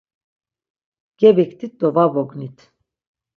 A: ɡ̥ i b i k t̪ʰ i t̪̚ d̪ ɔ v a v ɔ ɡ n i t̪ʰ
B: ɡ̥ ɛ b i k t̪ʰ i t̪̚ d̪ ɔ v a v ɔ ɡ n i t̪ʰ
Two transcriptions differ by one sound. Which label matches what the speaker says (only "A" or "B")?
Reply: B